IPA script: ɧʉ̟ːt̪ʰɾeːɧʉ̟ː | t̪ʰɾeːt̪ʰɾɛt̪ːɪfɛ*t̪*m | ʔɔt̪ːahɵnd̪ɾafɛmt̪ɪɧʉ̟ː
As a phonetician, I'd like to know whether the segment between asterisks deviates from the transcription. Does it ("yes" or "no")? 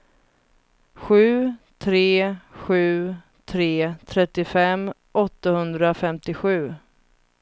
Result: yes